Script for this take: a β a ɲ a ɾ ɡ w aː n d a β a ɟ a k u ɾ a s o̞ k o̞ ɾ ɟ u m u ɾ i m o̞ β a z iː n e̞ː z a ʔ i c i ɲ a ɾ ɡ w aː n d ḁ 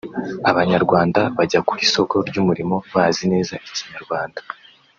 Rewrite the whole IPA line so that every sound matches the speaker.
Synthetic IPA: a β a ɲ a ɾ ɡ w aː n d a β a ɟ a k u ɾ i s o̞ k o̞ ɾ ɟ u m u ɾ i m o̞ β a z i n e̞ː z a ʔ i c i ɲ a ɾ ɡ w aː n d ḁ